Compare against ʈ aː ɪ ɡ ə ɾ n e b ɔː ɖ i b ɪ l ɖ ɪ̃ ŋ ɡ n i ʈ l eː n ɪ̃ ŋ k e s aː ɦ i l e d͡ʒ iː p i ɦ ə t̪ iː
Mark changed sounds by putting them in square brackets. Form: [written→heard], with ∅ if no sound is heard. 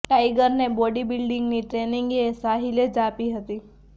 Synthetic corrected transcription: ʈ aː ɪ ɡ ə ɾ n e b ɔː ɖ i b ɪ l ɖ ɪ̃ ŋ ɡ n i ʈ [l→ɾ] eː n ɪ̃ ŋ [k→ɡ] e s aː ɦ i l e d͡ʒ [iː→aː] p i ɦ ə t̪ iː